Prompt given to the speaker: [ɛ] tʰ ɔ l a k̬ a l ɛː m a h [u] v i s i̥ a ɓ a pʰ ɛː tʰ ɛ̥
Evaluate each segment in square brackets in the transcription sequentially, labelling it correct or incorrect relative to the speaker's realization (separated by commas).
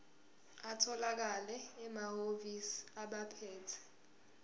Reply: incorrect, incorrect